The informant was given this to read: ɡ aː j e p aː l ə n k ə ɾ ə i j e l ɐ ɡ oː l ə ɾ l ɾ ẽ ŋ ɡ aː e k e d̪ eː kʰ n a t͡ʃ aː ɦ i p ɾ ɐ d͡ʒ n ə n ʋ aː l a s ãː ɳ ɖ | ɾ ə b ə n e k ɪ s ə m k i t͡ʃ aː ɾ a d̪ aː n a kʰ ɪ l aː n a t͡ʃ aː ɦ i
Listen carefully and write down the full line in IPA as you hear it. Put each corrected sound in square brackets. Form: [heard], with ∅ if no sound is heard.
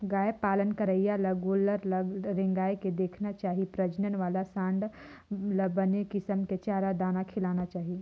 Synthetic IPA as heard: ɡ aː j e p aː l ə n k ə ɾ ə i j [a] l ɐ ɡ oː l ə ɾ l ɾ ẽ ŋ ɡ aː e k e d̪ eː kʰ n a t͡ʃ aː ɦ i p ɾ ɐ d͡ʒ n ə n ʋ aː l a s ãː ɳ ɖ | [l] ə b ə n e k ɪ s ə m k [e] t͡ʃ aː ɾ a d̪ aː n a kʰ ɪ l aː n a t͡ʃ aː ɦ i